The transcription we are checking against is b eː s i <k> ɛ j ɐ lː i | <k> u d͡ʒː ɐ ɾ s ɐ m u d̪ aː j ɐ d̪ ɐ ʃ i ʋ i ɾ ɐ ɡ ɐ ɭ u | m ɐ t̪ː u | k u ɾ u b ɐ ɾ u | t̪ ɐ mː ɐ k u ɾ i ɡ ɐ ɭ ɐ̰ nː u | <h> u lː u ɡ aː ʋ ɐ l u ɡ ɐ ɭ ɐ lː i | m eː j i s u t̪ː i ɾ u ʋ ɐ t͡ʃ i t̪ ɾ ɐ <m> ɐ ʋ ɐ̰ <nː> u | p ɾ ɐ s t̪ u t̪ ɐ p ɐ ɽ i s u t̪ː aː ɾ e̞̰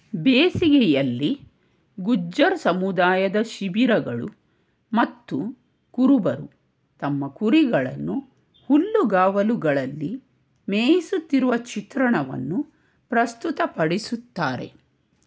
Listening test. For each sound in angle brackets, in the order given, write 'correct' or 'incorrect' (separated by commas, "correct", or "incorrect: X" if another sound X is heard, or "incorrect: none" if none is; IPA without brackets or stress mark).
incorrect: ɡ, incorrect: ɡ, correct, incorrect: ɳ, correct